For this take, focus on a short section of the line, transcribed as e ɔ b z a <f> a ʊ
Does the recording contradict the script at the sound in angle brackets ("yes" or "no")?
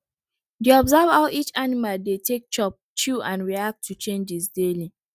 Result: yes